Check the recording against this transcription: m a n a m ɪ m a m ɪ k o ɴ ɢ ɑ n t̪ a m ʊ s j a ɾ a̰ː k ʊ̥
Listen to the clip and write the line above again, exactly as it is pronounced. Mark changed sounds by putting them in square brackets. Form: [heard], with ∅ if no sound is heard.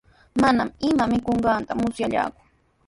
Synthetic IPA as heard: m a n a m ɪ m a m ɪ k o ɴ ɢ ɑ n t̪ a m ʊ s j a [ʎ] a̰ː k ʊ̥